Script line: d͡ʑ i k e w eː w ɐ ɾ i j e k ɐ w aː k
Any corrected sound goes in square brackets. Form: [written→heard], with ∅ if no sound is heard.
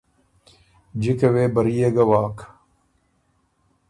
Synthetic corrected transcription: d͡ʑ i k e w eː [w→b] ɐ ɾ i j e [k→ɡ] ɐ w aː k